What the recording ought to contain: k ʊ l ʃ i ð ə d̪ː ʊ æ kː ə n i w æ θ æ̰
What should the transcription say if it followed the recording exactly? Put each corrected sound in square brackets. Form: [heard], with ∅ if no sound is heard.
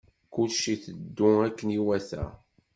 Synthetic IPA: k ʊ l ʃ i [θ] ə d̪ː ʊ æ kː ə n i w æ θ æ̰

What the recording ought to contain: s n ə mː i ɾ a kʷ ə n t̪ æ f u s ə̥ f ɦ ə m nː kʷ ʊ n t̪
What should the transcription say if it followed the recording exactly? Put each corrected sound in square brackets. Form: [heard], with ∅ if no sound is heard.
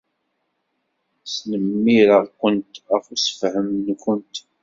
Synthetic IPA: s n ə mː i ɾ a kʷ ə n t̪ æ f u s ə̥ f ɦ ə m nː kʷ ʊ n t̪

